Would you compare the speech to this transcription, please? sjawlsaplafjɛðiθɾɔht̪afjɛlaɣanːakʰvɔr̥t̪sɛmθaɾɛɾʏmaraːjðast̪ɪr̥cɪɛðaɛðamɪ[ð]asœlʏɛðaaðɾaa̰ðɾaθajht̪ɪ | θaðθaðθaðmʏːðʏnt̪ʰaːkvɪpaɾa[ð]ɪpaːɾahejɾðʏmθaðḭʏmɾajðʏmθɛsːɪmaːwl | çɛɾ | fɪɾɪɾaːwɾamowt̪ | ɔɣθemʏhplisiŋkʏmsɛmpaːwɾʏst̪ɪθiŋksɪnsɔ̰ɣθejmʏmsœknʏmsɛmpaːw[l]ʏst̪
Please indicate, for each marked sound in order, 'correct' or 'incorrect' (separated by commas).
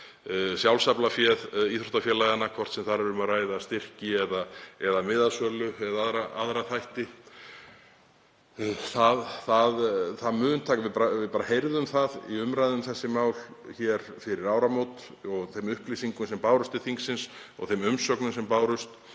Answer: correct, incorrect, incorrect